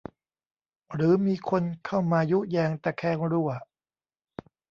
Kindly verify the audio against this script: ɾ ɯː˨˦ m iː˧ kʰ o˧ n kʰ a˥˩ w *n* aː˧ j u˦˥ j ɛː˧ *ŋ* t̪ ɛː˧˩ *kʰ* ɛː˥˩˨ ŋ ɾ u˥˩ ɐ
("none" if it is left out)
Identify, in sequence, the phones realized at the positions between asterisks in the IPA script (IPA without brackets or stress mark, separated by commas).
m, ŋ, kʰ